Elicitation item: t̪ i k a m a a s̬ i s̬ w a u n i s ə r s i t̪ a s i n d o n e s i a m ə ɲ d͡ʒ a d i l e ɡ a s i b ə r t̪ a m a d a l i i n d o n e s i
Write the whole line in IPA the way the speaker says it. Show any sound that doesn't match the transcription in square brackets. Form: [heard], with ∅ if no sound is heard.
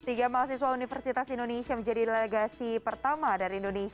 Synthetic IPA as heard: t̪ i [ɡ] a m a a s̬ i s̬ w a u n i [f] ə r s i t̪ a s i n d o n e s i a m ə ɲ d͡ʒ a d i l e ɡ a s i [p] ə r t̪ a m a d a [ɾ] i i n d o n e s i